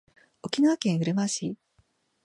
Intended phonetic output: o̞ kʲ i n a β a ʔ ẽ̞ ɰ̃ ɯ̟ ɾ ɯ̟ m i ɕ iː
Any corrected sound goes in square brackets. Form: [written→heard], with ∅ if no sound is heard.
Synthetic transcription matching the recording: o̞ kʲ i n a β a [ʔ→k] ẽ̞ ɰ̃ ɯ̟ ɾ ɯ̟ m [i→a] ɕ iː